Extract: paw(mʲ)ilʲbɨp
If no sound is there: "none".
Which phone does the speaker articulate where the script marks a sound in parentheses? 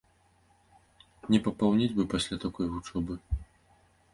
nʲ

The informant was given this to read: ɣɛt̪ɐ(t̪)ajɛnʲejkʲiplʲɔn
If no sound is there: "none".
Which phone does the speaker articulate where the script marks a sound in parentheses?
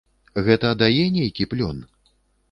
d̪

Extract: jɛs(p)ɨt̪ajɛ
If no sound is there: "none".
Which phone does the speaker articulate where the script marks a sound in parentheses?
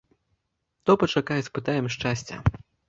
p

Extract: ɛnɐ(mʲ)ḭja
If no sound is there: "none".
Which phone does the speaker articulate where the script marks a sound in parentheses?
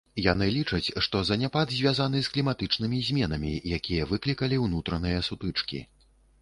mʲ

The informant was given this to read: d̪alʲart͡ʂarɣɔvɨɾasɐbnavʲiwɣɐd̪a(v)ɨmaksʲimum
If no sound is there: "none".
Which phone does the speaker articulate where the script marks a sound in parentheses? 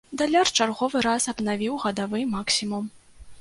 v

